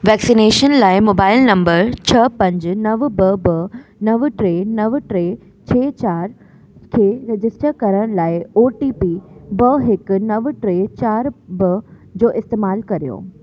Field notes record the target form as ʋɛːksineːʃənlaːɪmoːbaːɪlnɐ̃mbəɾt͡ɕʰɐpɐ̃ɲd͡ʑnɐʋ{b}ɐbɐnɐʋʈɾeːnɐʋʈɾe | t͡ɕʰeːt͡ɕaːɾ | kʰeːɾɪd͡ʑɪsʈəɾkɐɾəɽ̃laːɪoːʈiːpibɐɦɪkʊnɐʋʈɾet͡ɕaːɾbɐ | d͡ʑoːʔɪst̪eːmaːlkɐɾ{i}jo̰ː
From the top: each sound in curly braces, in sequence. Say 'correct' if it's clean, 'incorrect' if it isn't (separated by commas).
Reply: correct, correct